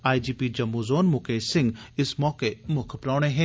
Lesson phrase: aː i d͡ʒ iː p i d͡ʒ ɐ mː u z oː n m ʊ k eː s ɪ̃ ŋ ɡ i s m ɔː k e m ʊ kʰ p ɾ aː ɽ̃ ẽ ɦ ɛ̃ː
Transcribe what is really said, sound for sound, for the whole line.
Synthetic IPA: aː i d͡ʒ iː p i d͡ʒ ɐ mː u z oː n m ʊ k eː s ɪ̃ ŋ ɡ ɪ s m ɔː k e m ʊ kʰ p ɾ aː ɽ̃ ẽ ɦ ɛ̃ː